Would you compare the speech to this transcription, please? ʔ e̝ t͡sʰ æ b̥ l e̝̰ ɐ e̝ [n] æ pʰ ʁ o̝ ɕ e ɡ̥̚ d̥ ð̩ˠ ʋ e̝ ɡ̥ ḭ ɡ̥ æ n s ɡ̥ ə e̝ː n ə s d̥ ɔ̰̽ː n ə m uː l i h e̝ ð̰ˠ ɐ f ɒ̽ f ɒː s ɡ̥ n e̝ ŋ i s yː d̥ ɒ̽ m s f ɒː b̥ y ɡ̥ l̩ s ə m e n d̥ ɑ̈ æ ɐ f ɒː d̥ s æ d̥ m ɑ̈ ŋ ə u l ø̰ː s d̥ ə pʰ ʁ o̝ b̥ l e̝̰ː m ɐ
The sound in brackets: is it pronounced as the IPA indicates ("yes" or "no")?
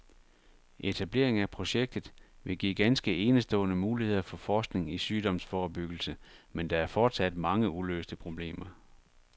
no